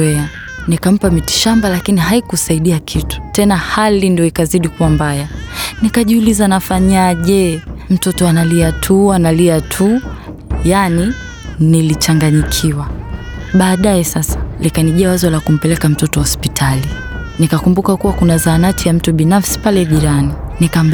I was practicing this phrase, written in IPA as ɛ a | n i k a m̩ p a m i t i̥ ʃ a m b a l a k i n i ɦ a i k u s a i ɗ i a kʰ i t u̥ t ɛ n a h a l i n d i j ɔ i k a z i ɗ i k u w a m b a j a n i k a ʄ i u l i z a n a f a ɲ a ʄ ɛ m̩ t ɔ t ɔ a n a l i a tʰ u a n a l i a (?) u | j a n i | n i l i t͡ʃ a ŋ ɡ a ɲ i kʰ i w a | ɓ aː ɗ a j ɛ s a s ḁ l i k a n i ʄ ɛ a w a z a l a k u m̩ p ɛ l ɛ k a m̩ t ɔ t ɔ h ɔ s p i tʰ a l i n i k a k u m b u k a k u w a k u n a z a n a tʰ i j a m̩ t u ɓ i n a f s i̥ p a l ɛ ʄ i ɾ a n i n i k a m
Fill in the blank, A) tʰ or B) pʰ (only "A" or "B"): A